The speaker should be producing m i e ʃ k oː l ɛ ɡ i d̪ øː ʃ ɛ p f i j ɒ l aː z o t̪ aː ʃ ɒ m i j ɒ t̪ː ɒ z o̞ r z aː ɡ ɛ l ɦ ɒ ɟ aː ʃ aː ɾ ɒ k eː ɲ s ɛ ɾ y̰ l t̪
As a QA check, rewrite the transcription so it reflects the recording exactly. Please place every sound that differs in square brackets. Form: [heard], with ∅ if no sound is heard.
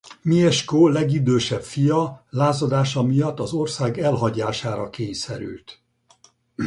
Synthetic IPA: m i [ɛ] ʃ k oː l ɛ ɡ i d̪ øː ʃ ɛ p f i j ɒ l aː z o [d̪] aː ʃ ɒ m i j ɒ t̪ː ɒ z o̞ r [s] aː ɡ ɛ l ɦ ɒ ɟ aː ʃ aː ɾ ɒ k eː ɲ s ɛ ɾ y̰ l t̪